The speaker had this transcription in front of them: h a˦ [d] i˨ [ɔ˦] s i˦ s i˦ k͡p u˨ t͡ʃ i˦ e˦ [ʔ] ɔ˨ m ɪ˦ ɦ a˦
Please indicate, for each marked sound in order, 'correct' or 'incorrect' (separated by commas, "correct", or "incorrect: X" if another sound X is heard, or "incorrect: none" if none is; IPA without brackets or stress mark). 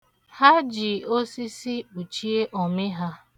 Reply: incorrect: d͡ʒ, incorrect: o˦, correct